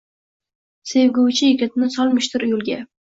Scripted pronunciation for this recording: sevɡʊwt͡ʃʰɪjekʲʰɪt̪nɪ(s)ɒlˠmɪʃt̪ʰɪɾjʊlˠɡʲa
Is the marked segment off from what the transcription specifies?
no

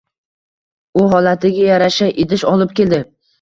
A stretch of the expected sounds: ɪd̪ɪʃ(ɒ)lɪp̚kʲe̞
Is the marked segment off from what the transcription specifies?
no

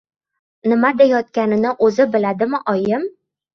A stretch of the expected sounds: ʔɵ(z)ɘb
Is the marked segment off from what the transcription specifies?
no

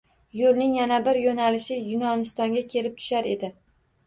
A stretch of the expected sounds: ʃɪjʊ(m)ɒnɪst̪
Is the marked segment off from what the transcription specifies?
yes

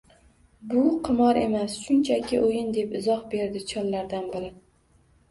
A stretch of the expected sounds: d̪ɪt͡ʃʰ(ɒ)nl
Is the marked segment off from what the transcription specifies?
no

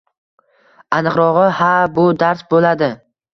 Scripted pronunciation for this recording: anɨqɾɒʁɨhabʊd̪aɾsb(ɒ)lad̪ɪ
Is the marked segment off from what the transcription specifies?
yes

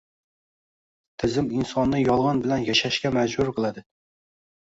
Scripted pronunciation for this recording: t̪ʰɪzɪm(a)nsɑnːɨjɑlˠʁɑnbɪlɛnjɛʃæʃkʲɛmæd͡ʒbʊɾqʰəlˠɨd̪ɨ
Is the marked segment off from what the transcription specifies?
yes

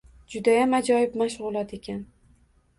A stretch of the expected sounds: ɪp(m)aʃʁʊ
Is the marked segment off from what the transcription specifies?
no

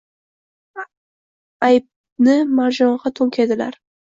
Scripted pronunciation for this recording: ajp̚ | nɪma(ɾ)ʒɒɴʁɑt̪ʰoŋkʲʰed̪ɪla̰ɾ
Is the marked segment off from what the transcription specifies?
no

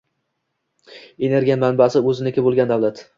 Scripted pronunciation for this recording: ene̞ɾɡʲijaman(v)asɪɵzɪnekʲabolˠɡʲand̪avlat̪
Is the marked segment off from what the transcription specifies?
yes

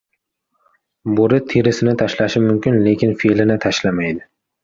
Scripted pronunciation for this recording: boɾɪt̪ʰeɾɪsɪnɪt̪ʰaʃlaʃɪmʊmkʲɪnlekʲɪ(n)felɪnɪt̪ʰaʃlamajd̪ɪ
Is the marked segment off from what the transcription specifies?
no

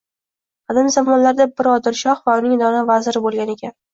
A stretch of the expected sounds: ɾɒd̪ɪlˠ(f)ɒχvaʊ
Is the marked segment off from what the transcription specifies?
yes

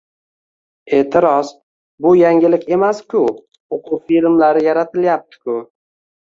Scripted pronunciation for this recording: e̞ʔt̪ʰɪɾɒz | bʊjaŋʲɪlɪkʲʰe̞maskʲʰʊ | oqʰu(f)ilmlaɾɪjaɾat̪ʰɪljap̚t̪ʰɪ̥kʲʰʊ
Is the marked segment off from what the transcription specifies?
no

